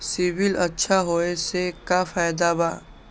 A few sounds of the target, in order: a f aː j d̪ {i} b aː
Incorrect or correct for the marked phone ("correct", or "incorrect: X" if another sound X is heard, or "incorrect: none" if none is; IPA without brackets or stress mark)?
incorrect: a